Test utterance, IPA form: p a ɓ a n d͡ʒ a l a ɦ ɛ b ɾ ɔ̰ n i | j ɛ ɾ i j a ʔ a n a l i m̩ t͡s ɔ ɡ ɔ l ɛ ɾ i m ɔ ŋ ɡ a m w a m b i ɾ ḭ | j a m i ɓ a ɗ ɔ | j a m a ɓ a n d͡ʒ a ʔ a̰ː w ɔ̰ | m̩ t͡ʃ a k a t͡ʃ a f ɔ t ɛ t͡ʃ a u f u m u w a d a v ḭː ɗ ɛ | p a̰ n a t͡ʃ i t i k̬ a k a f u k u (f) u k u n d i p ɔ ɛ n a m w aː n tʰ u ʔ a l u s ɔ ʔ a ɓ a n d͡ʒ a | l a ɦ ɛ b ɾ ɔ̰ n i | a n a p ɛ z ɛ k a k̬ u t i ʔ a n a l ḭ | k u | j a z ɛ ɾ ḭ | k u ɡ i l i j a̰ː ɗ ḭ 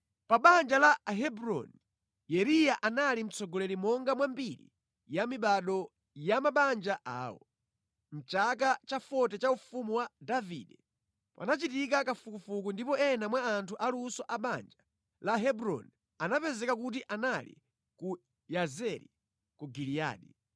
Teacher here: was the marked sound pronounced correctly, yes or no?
yes